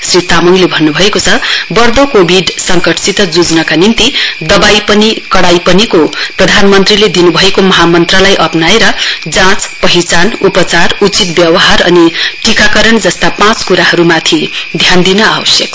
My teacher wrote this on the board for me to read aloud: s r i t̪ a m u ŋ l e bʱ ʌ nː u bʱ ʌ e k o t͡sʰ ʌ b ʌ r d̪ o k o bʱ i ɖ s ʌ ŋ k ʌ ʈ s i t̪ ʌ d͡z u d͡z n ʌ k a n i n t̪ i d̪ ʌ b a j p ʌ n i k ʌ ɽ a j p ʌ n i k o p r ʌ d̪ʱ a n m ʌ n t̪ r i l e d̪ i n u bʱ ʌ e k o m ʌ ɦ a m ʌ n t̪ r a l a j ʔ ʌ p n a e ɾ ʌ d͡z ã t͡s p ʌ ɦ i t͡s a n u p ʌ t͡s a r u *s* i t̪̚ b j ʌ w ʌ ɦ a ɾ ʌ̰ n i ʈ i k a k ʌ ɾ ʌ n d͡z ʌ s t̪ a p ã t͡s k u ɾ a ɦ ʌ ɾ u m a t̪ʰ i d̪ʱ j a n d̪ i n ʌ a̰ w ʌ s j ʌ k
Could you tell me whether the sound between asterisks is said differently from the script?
yes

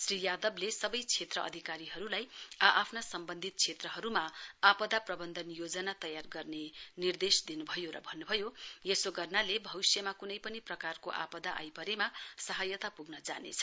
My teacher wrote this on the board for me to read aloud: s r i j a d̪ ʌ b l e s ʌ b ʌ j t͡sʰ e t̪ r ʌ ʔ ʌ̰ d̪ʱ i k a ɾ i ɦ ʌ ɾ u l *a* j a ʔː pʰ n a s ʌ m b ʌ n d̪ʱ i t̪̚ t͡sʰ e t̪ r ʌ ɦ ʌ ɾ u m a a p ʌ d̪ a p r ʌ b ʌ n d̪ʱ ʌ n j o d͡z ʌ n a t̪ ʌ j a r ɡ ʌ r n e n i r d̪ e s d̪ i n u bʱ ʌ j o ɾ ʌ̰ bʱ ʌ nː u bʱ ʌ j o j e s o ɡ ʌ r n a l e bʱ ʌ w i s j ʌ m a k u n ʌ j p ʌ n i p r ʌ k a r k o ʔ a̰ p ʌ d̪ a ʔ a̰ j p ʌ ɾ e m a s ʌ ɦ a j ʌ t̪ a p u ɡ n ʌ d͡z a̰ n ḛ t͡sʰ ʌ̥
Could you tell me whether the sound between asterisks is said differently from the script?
no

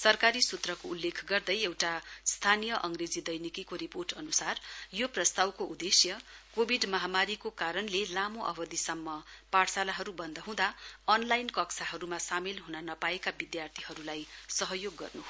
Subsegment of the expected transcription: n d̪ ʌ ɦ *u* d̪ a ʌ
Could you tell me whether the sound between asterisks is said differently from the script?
yes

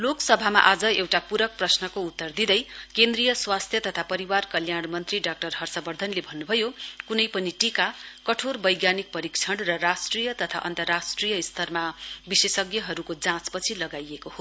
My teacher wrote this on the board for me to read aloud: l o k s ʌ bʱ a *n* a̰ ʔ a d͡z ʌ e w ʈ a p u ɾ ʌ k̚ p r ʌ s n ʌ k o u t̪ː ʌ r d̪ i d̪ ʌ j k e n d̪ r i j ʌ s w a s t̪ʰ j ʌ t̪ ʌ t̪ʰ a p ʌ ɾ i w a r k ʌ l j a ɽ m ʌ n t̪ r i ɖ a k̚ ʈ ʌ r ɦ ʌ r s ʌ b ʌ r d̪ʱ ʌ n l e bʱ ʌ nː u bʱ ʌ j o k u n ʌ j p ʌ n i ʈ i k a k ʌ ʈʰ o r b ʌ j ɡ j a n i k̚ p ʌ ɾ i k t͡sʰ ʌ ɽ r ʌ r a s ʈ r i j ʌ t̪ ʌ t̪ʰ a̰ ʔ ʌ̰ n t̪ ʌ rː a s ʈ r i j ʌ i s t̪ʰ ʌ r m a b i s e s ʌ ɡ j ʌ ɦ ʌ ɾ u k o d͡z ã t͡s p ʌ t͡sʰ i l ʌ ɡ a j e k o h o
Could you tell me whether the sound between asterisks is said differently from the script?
yes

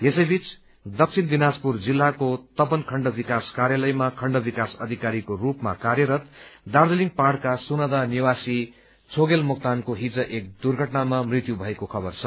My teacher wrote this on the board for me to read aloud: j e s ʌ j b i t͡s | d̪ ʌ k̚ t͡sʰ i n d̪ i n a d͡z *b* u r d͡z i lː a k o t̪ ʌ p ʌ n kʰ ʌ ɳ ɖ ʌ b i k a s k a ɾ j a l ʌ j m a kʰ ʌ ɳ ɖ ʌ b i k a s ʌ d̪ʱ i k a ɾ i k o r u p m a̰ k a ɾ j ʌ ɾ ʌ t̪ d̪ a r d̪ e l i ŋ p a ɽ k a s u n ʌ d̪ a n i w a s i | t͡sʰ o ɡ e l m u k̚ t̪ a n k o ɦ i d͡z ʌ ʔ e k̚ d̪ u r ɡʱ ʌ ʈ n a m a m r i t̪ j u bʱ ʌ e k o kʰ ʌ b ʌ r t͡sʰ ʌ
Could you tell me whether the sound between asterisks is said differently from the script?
yes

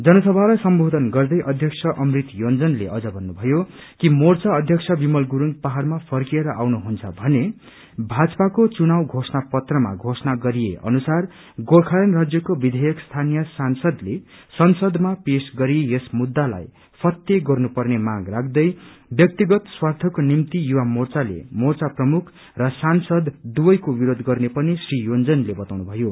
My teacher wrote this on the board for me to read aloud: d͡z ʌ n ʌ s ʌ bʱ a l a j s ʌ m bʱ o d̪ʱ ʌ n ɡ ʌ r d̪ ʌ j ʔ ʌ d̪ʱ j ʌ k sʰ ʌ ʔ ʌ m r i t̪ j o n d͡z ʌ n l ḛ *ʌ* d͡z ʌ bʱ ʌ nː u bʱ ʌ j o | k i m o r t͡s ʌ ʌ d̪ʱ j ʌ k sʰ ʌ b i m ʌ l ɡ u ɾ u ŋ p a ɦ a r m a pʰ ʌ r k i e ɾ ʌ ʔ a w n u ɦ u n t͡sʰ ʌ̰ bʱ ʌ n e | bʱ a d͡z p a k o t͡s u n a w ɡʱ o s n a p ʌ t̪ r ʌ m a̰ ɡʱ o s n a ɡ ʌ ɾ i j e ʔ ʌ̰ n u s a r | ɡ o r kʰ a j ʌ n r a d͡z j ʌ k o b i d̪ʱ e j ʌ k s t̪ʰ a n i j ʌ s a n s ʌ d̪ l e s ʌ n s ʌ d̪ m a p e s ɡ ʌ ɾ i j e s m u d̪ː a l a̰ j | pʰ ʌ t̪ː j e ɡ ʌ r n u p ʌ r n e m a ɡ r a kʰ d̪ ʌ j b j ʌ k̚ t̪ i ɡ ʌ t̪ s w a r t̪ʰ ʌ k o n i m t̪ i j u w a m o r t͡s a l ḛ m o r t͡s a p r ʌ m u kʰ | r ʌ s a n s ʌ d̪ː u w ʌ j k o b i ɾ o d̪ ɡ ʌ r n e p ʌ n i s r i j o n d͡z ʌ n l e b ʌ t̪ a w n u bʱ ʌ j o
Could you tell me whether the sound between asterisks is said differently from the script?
no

